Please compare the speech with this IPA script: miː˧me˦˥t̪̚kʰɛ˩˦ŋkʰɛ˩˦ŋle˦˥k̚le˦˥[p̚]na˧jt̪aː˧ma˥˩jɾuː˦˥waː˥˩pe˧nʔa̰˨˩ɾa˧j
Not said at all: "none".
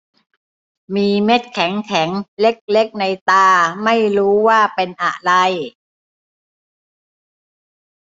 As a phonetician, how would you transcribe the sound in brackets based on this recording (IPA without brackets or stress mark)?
k̚